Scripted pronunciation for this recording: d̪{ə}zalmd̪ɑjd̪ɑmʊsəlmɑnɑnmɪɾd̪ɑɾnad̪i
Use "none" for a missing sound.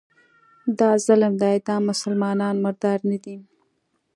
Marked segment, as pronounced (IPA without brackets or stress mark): ɑ